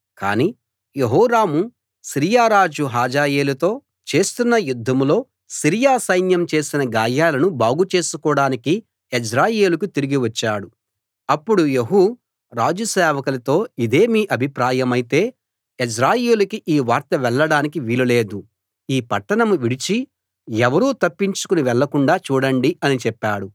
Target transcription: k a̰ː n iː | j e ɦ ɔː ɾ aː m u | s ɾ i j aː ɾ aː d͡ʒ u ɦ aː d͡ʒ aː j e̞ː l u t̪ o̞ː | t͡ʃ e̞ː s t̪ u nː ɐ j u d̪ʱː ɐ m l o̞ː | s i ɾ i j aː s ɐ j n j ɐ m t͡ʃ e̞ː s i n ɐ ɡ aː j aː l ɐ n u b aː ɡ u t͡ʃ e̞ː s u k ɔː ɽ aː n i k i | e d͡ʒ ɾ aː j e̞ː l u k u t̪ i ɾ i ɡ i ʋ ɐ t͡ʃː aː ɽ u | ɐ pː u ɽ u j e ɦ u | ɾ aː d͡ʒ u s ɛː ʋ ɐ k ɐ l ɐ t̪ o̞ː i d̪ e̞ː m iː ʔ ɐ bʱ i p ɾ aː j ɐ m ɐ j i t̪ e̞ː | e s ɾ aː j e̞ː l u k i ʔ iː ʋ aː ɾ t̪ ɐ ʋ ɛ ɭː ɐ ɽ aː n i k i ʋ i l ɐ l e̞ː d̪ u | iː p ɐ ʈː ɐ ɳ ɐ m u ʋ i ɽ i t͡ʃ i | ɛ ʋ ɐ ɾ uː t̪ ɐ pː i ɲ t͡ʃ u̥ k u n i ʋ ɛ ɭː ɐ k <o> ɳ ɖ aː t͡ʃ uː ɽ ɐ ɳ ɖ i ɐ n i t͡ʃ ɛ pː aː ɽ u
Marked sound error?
yes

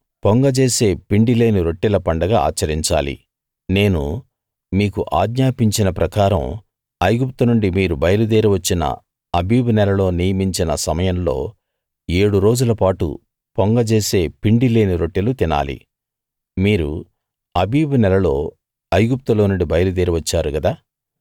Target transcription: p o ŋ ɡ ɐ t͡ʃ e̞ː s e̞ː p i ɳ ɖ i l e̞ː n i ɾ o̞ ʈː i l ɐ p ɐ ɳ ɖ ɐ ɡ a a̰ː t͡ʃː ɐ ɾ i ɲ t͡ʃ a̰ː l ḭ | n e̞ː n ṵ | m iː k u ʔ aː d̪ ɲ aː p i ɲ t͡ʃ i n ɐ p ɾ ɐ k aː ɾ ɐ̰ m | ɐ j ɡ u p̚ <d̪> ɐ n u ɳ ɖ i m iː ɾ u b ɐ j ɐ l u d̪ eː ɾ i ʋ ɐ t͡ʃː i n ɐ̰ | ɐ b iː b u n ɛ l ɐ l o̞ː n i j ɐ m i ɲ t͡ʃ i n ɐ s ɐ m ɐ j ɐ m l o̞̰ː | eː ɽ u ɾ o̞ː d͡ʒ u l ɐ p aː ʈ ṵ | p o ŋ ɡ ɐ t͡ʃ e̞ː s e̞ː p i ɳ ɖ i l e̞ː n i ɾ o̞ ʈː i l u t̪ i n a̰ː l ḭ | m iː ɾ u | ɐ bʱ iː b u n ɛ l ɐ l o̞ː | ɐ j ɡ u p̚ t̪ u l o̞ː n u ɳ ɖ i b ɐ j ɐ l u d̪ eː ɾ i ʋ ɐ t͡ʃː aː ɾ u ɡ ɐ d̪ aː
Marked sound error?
yes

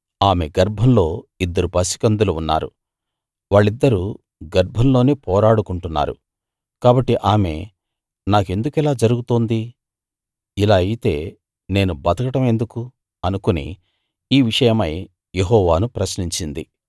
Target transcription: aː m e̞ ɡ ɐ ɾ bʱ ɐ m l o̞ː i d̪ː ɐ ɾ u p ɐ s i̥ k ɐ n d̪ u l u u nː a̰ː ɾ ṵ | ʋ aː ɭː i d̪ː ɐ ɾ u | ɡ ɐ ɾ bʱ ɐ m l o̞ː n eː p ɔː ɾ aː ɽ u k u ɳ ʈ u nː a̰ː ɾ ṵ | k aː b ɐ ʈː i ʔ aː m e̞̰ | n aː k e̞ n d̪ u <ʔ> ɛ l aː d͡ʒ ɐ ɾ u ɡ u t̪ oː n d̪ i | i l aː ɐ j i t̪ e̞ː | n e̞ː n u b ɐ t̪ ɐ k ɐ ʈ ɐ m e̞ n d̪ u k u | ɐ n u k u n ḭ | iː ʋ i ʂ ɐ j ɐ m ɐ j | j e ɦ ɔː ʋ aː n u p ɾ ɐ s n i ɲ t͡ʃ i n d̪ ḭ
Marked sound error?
yes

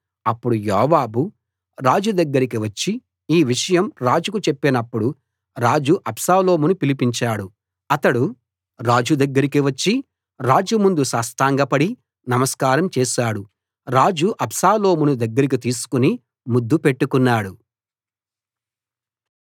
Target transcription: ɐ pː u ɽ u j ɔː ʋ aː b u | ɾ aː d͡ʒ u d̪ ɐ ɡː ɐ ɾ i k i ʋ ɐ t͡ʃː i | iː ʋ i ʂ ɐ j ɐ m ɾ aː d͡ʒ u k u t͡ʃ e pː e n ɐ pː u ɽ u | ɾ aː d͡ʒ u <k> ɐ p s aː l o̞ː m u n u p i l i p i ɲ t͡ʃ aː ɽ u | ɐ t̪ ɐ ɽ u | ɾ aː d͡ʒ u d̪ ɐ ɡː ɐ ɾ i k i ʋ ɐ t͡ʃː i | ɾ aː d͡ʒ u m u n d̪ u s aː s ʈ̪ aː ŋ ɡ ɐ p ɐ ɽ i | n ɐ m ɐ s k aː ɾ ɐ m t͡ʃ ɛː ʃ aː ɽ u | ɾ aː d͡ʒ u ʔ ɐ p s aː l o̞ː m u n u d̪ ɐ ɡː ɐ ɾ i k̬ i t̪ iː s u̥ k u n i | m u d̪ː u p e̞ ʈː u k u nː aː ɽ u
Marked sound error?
yes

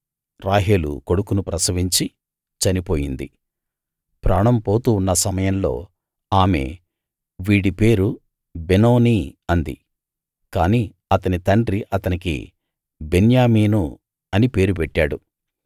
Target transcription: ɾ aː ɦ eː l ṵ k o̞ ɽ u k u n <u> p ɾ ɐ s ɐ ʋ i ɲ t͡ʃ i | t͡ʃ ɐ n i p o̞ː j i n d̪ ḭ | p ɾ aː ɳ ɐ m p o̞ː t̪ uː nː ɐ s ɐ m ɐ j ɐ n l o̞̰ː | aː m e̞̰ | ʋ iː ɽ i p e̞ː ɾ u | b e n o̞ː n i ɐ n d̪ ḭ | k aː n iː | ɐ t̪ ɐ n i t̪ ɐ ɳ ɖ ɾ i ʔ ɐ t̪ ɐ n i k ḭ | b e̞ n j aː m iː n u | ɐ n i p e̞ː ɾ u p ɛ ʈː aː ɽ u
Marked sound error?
no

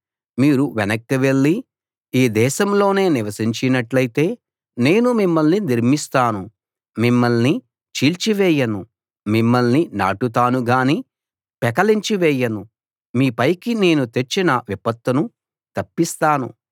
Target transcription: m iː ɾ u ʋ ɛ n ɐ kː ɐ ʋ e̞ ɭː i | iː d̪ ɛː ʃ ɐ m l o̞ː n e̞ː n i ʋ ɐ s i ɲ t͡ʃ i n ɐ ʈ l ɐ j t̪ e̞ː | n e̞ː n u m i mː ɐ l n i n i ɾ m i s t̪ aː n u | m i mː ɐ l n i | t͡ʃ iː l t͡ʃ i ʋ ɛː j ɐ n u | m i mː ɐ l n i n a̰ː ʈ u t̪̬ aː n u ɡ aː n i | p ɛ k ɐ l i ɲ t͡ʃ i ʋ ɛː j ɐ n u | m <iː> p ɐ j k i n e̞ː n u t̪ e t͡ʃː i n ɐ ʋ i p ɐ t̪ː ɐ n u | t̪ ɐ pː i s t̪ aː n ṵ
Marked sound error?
no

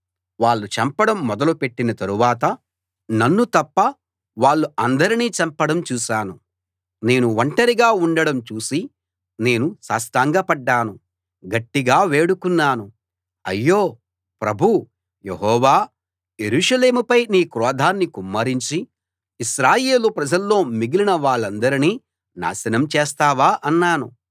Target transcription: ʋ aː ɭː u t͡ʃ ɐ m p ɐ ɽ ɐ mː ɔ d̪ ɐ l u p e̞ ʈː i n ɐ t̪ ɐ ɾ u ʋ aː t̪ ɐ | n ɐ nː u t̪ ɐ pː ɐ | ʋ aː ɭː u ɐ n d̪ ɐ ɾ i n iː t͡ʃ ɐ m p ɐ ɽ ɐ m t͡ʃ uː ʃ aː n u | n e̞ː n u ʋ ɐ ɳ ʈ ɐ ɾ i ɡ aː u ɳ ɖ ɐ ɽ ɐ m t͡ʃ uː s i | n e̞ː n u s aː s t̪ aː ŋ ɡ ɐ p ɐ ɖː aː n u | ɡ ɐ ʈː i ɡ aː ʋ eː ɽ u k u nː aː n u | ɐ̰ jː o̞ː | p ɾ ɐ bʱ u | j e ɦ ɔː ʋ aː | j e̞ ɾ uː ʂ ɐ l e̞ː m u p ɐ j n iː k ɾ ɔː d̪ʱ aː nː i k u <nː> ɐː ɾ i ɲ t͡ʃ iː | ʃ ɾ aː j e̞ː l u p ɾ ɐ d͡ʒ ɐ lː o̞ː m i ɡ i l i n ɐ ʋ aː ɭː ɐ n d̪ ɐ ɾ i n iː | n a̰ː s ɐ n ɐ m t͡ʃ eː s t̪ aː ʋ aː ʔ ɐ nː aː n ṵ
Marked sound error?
yes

